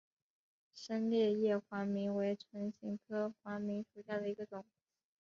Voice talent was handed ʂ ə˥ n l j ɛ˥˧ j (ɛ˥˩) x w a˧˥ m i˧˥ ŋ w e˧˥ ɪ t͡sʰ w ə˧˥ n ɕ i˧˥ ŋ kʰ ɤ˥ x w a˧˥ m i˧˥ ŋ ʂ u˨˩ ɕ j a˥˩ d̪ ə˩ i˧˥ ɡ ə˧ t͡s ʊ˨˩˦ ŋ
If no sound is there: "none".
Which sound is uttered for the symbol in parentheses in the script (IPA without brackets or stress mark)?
ɛ˥˩